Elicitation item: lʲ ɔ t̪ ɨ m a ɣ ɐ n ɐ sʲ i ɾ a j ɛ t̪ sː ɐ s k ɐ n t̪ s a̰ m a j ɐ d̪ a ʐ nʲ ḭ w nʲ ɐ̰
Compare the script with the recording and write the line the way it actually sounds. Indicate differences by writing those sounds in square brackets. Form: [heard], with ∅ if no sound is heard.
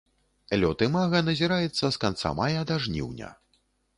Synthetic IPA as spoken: lʲ ɔ t̪ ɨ m a ɣ ɐ n ɐ [zʲ] i ɾ a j ɛ t̪ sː ɐ s k [a] n t̪ s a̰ m a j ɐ d̪ a ʐ nʲ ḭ w nʲ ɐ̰